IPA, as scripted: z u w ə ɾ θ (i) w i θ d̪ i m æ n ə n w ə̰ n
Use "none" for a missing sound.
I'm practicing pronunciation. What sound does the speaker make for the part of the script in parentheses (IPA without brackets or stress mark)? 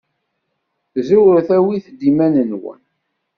æ